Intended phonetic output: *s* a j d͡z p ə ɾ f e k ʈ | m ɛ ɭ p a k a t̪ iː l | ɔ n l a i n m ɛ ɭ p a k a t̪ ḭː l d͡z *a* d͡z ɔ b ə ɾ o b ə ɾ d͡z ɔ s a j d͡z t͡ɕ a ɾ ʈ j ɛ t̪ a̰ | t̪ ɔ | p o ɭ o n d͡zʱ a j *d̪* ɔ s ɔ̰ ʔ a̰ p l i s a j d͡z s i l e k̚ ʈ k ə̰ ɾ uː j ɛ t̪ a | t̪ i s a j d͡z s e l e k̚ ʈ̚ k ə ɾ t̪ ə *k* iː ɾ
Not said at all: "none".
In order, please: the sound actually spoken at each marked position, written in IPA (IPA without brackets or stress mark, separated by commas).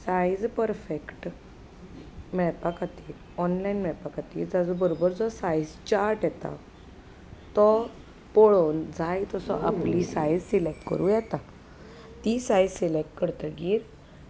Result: s, a, t̪, ɡ